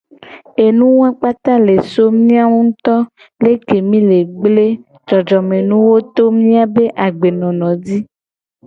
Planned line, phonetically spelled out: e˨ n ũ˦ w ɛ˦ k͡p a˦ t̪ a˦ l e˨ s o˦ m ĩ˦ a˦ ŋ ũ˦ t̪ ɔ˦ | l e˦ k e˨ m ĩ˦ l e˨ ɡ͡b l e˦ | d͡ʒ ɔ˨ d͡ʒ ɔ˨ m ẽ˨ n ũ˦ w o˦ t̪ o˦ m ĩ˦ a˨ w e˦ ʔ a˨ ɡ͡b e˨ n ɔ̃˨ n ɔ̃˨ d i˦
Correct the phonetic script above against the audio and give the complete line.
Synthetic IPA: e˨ n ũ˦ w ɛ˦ k͡p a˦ t̪ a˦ l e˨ s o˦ m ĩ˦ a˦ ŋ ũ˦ t̪ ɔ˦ | l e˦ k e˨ m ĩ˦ l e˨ ɡ͡b l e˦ | d͡ʒ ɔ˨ d͡ʒ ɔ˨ m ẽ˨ n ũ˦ w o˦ t̪ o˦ m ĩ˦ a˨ b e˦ ʔ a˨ ɡ͡b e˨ n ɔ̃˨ n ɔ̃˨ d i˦